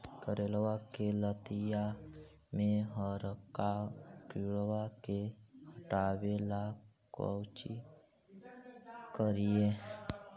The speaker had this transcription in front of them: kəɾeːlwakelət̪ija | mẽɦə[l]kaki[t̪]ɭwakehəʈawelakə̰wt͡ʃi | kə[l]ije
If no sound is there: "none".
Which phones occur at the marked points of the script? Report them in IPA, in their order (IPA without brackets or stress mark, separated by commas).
ɾ, none, ɾ